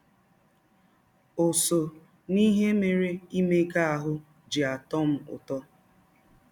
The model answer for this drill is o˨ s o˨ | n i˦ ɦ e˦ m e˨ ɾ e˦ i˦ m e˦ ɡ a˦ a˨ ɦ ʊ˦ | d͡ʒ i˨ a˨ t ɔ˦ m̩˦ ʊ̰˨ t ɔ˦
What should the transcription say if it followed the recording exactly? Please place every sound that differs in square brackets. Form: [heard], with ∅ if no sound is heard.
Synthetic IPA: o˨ s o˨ | n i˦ ɦ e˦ m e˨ ɾ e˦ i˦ m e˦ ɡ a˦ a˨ ɦ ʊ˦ | d͡ʒ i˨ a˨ t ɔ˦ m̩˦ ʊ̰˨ t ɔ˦